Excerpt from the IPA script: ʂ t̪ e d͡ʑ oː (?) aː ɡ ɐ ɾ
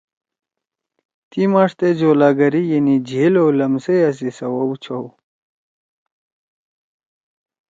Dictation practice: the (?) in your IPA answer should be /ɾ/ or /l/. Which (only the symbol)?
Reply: l